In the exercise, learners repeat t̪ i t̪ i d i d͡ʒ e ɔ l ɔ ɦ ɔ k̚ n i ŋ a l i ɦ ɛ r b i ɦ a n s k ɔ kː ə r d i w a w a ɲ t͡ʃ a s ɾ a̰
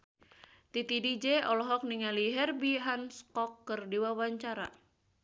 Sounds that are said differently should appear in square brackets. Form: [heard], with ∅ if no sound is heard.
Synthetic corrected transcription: t̪ i t̪ i d i d͡ʒ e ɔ l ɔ ɦ ɔ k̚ n i ŋ a l i ɦ ɛ r b i ɦ a n s k ɔ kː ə r d i w a w a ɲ t͡ʃ a [∅] ɾ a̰